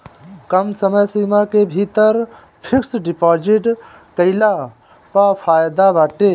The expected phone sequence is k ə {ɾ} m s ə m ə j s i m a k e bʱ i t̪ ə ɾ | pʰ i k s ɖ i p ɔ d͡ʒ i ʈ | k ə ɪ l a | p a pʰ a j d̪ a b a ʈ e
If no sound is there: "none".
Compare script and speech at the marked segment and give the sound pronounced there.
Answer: none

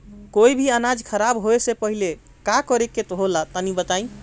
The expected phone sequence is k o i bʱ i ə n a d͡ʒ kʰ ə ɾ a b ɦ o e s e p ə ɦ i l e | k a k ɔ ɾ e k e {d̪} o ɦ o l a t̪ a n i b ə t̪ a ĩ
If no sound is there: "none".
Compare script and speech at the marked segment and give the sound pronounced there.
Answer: t̪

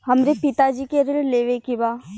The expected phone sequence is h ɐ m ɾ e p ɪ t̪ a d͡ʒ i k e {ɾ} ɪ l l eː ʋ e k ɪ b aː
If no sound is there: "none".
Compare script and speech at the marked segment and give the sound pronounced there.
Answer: ɾ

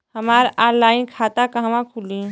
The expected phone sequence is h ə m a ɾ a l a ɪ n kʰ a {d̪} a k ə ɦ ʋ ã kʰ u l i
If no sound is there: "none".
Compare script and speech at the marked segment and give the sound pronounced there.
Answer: t̪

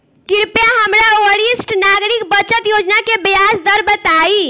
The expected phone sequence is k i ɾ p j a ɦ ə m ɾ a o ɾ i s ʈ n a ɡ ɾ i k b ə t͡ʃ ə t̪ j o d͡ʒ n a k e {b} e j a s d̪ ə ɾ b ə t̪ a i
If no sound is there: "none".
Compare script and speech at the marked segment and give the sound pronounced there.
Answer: b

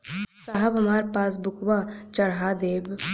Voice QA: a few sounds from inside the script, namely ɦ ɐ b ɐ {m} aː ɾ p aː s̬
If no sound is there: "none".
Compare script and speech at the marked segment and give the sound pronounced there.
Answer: m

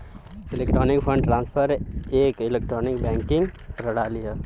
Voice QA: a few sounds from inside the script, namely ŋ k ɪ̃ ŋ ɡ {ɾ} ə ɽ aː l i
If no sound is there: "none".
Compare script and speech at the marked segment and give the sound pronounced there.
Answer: ɾ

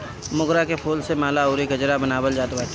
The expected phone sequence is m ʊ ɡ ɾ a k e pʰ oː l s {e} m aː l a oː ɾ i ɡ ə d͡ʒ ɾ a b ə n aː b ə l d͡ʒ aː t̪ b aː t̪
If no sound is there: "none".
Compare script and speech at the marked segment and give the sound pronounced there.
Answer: e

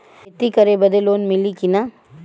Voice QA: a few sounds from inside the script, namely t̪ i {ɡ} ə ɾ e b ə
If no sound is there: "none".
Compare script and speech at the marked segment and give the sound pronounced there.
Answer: k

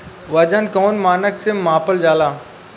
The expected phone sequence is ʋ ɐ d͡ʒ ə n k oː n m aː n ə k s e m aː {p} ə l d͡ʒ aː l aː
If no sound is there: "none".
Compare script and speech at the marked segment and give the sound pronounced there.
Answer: p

